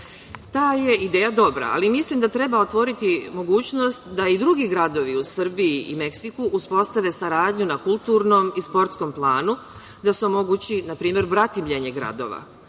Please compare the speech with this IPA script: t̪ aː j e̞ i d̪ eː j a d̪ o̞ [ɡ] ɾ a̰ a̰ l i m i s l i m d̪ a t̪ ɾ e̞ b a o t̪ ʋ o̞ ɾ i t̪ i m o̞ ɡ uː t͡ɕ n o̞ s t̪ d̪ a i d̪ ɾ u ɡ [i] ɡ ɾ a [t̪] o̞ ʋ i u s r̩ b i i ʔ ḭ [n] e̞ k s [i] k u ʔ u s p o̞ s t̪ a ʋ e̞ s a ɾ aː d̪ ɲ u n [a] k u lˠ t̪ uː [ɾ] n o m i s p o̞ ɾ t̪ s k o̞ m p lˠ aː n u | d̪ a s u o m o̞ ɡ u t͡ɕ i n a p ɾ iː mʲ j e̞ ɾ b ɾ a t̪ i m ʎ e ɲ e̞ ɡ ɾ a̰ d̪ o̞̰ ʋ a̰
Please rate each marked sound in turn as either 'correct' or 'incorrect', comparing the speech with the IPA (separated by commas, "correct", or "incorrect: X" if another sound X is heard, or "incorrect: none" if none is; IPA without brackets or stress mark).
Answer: incorrect: b, correct, incorrect: d̪, incorrect: m, correct, correct, correct